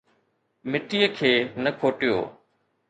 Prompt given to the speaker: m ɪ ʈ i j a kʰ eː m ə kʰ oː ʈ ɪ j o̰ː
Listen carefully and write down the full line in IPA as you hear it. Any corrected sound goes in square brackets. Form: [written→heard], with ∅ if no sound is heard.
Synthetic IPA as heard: m ɪ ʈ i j [a→ə] kʰ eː [m→n] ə kʰ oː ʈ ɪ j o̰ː